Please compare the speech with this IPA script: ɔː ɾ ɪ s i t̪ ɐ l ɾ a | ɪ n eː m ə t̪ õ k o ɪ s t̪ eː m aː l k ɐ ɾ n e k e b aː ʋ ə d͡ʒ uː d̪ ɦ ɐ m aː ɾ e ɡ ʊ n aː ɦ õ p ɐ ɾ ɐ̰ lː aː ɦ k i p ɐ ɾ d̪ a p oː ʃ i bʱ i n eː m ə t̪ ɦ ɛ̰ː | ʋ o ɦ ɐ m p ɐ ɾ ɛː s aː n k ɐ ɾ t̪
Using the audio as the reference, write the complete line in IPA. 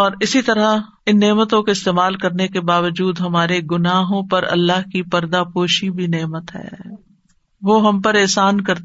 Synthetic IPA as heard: ɔː ɾ ɪ s i t̪ ɐ ɾ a | ɪ nː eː m ə t̪ õ k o ɪ s t̪ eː m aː l k ɐ ɾ n e k e b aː ʋ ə d͡ʒ uː d̪ ɦ ɐ m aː ɾ e ɡ ʊ n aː ɦ õ p ɐ ɾ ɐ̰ lː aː ɦ k i p ɐ ɾ d̪ a p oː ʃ i bʱ i n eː m ə t̪ ɦ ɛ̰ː | ʋ o ɦ ɐ m p ɐ ɾ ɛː s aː n k ɐ ɾ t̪